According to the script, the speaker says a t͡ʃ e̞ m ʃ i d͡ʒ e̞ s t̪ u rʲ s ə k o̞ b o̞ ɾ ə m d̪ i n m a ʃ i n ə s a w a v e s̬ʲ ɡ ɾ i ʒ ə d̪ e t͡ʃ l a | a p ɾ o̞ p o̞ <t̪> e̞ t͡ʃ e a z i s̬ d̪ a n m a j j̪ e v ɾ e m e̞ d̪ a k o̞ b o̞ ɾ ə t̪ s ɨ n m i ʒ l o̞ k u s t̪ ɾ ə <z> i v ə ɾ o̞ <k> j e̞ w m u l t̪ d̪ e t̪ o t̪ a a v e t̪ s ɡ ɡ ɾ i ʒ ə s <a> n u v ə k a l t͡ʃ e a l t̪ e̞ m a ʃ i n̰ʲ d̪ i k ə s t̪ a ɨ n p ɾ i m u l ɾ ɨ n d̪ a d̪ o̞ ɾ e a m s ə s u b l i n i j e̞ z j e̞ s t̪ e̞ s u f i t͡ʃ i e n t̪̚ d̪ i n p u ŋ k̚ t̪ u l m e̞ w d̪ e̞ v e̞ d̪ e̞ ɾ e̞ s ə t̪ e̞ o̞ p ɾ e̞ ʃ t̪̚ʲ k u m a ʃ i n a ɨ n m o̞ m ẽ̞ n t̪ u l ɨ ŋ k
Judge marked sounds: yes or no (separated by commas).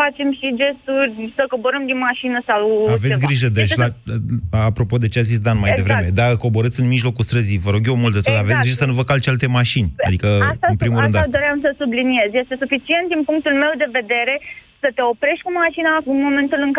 no, yes, no, no